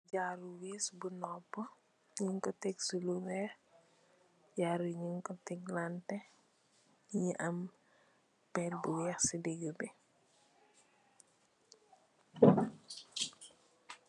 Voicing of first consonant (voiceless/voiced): voiced